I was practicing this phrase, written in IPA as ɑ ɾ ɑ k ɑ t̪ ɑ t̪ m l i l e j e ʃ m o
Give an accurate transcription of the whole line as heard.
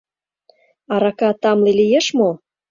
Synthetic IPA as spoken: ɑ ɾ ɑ k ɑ t̪ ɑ m l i l i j e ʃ m o